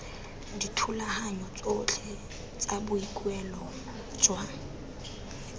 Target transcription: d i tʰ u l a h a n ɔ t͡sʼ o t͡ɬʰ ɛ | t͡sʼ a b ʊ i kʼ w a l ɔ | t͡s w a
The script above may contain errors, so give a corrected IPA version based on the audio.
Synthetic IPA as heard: d i tʰ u l a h a ɲ ɔ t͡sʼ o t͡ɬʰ ɛ | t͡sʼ a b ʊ i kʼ w ɛ l ɔ | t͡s w a